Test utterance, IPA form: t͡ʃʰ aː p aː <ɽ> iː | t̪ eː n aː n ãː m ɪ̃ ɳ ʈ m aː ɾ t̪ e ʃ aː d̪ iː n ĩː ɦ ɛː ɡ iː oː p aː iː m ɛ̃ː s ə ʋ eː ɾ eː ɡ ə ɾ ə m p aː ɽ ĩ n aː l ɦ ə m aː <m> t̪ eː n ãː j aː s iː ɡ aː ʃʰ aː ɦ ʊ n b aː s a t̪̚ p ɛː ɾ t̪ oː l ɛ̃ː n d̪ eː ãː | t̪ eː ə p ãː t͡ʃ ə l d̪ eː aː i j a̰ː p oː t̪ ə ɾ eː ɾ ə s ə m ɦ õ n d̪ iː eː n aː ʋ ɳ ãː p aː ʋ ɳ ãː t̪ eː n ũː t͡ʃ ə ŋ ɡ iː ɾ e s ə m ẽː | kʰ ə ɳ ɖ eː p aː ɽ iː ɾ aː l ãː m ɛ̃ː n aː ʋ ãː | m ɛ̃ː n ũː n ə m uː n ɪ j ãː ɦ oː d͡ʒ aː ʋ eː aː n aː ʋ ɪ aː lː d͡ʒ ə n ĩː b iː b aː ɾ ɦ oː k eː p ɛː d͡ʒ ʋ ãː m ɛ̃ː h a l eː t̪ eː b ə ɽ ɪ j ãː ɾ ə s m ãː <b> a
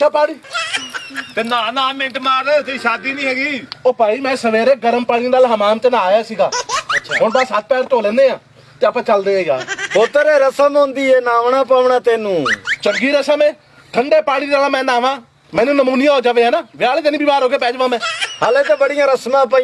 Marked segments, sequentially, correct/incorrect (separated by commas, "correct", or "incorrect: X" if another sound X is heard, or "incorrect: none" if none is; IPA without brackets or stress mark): correct, correct, incorrect: p